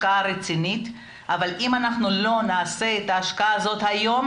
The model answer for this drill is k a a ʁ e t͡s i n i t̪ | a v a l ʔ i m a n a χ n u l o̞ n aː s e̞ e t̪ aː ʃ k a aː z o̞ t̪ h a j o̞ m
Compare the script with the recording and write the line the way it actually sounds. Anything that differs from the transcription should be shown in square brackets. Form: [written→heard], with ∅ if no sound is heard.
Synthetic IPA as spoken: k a a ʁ e t͡s i n i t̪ | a v a l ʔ i m a n a χ n u l o̞ n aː s e̞ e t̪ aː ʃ k a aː z o̞ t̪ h a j o̞ m